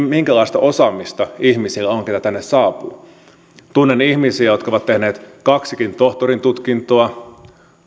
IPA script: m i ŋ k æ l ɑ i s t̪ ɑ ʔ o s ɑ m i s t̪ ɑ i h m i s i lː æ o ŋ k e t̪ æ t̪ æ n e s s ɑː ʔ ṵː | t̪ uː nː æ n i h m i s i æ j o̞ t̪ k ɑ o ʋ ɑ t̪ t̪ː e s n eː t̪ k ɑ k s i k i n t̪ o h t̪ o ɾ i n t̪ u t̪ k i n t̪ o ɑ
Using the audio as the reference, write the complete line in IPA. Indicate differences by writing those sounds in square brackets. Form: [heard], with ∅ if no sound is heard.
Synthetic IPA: m i ŋ k æ l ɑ i s t̪ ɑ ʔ o s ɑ m i s t̪ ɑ i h m i s i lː æ o ŋ k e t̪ æ t̪ æ [nː] e s s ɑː [p] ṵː | t̪ [u] nː [e] n i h m i s i æ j o̞ t̪ k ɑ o ʋ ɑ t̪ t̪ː e [h] n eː t̪ k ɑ k s i k i n t̪ o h t̪ o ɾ i n t̪ u t̪ k i n t̪ o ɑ

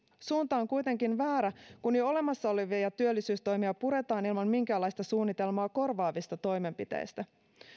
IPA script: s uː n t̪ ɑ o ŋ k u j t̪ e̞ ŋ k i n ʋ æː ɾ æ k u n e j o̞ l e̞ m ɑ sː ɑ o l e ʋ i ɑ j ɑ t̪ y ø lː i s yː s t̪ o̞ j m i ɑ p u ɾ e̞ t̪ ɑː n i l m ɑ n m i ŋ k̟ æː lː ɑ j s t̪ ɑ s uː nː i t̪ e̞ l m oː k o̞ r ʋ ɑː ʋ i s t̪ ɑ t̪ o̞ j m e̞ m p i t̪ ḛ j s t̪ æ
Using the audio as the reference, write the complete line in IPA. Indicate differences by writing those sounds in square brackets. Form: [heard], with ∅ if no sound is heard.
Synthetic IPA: s uː n t̪ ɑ o ŋ k u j t̪ e̞ ŋ k i n ʋ æː ɾ æ k u n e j o̞ l e̞ m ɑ sː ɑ o l e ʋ i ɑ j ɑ t̪ y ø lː i s yː s t̪ o̞ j m i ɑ p u ɾ e̞ t̪ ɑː n i l m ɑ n m i ŋ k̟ æː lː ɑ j s t̪ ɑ s uː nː i t̪ e̞ l m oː k o̞ r ʋ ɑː ʋ i s t̪ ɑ t̪ o̞ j m e̞ m p i t̪ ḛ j s t̪ æ

